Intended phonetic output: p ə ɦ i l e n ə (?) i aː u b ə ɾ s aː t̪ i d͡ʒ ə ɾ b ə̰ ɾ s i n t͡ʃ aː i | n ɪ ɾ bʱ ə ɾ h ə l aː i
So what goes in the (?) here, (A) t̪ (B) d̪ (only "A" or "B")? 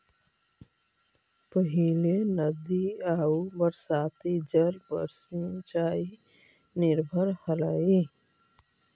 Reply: B